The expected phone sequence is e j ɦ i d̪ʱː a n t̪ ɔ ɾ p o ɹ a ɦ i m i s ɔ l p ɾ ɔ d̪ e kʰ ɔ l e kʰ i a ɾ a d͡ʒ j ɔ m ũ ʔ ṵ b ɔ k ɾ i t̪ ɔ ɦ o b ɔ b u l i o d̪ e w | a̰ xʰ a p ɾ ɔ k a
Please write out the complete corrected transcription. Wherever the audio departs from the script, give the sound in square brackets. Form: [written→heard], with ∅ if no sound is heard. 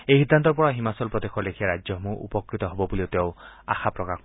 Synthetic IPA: e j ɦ i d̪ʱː a n t̪ ɔ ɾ p [o→ɔ] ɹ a ɦ i m [i→a] s ɔ l p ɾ ɔ d̪ e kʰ ɔ l e kʰ i a ɾ a d͡ʒ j ɔ m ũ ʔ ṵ [b→p] ɔ k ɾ i t̪ ɔ ɦ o b ɔ b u l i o [d̪→t̪] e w | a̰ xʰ a p ɾ ɔ k a